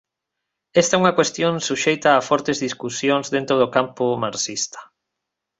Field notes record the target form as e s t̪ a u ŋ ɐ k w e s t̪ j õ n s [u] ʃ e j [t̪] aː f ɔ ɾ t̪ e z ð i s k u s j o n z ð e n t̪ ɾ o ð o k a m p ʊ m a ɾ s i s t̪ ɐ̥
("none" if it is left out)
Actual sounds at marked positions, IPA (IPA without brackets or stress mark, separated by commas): u, t̪